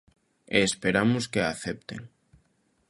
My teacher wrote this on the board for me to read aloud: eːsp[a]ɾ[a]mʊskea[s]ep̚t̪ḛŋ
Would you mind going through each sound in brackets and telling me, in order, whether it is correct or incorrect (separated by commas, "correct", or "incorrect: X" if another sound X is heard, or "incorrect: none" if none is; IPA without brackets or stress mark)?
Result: incorrect: e, correct, incorrect: θ